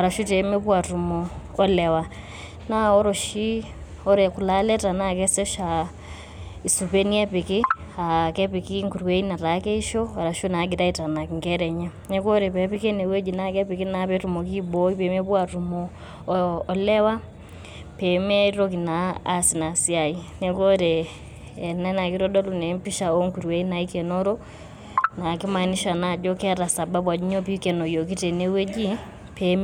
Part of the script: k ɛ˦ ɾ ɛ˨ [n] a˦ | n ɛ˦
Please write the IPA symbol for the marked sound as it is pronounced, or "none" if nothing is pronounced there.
ɲ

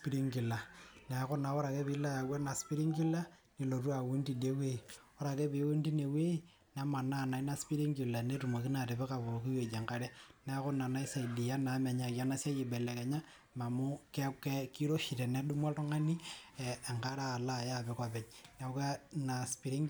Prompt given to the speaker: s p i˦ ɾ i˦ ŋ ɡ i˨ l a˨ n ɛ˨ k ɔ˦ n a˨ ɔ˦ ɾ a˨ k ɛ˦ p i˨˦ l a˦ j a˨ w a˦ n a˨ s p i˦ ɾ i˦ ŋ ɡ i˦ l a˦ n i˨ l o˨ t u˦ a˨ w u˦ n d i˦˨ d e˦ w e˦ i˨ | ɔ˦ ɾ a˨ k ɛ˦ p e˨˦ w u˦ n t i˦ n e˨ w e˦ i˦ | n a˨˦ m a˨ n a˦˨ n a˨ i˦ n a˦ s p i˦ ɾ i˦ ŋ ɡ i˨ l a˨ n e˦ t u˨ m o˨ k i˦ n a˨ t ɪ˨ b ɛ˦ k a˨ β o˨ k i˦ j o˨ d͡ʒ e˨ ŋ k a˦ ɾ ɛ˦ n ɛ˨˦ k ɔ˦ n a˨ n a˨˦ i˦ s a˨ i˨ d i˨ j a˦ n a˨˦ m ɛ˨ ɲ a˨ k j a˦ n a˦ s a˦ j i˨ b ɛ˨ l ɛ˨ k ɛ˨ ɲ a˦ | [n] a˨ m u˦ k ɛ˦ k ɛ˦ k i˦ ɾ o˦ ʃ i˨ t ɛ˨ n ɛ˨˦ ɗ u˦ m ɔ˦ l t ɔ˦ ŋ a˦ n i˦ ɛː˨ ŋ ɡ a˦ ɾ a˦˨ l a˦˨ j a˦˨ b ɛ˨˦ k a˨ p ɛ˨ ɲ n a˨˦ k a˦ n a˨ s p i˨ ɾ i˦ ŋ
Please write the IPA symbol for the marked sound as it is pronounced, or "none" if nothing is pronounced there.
m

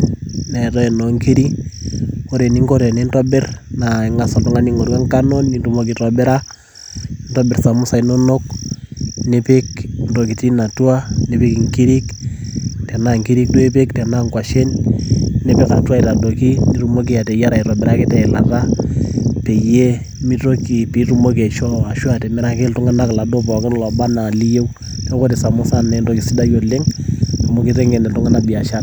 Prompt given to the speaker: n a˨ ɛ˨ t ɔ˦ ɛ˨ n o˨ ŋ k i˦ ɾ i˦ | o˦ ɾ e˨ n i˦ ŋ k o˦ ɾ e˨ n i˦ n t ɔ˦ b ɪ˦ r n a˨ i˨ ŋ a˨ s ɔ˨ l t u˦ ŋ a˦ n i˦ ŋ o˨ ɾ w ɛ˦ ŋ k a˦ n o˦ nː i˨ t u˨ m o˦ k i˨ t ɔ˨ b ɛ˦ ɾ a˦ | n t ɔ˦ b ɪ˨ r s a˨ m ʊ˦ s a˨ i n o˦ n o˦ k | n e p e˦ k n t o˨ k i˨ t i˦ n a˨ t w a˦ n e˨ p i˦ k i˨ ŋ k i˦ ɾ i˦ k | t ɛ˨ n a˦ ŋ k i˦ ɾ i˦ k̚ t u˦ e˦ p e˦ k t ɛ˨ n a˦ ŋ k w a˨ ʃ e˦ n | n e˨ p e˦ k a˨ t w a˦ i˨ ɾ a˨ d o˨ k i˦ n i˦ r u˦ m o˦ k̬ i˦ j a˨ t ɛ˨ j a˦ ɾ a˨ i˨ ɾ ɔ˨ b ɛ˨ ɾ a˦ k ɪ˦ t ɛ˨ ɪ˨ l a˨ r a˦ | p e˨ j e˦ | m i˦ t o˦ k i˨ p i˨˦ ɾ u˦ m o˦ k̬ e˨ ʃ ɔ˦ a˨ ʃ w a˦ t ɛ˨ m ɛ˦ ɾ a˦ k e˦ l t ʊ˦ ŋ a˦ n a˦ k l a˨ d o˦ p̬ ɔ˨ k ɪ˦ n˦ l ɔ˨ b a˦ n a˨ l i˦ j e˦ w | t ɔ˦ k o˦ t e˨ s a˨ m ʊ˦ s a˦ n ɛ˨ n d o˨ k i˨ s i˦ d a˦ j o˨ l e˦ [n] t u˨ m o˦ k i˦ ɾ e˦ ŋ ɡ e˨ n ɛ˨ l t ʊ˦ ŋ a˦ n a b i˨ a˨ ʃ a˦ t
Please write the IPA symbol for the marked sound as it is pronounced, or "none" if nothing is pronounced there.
ŋ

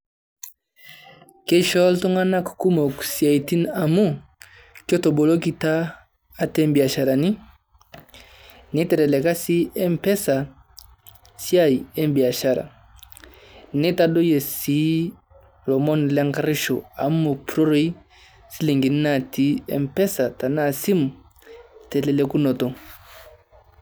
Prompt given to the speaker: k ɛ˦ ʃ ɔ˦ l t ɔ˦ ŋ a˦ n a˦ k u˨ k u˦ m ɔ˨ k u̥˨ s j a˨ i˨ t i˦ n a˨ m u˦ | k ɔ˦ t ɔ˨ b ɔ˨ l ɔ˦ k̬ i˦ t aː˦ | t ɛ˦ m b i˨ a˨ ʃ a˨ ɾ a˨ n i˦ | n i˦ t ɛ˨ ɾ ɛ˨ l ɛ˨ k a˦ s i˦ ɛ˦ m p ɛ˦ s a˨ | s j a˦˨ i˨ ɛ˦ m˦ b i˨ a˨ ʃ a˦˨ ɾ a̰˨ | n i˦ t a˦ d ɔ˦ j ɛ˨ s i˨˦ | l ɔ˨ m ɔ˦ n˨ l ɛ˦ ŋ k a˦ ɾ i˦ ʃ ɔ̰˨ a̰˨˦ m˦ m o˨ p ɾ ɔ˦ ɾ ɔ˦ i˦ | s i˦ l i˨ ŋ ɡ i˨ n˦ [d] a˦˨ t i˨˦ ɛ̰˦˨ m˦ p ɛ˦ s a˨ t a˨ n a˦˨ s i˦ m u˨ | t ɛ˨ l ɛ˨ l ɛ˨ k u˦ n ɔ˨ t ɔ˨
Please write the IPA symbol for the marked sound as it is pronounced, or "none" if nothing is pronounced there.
n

